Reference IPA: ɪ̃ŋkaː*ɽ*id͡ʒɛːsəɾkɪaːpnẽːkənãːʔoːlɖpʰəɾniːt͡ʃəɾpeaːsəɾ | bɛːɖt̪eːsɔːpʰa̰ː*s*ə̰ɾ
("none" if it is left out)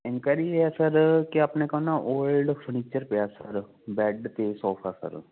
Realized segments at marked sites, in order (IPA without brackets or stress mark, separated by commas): ɾ, s